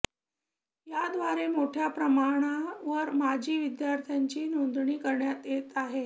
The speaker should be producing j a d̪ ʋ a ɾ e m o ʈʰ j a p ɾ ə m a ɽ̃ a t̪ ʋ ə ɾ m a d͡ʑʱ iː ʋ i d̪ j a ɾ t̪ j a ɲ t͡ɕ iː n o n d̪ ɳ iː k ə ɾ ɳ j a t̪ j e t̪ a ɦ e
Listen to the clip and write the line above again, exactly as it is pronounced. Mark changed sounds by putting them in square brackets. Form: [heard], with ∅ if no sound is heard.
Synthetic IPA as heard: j a d̪ ʋ a ɾ e m o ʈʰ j a p ɾ ə m a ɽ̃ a [∅] ʋ ə ɾ m a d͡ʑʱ iː ʋ i d̪ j a ɾ [t̪ʰ] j a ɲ t͡ɕ iː n o n d̪ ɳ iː k ə ɾ ɳ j a t̪ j e t̪ a ɦ e